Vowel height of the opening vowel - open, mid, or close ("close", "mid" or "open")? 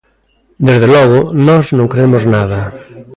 mid